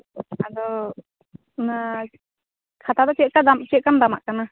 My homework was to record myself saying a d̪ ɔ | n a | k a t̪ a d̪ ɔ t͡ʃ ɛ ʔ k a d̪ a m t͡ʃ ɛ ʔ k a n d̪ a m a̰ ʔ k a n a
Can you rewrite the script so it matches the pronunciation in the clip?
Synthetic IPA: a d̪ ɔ | n a | kʰ a t̪ a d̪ ɔ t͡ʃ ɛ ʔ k a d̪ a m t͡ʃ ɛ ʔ k a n d̪ a m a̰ ʔ k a n a